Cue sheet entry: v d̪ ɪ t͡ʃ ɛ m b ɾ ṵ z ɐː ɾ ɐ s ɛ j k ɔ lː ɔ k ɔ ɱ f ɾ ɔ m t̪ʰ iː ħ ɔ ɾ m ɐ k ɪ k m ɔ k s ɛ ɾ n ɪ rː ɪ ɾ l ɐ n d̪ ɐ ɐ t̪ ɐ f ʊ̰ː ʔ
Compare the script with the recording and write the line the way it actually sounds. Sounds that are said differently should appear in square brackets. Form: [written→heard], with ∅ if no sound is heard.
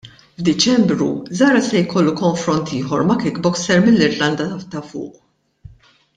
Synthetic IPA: v d̪ ɪ t͡ʃ ɛ m b ɾ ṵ z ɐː ɾ ɐ s ɛ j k ɔ lː [ɔ→u] k ɔ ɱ f ɾ ɔ [m→n] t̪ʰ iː ħ ɔ ɾ m ɐ k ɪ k [m→b] ɔ k s ɛ ɾ [n→m] ɪ [rː→lː] ɪ ɾ l ɐ n d̪ ɐ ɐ t̪ ɐ f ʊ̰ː ʔ